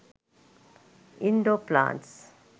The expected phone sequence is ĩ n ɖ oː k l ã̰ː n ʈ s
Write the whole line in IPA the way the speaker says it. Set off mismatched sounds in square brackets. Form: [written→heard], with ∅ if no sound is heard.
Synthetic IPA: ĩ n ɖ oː [k→p] l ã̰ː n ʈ s